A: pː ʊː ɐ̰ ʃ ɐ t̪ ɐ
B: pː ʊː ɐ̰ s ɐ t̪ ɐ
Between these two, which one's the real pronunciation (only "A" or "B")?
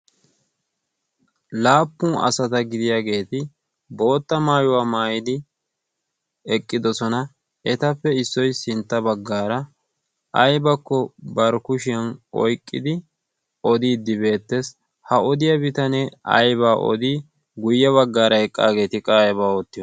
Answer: B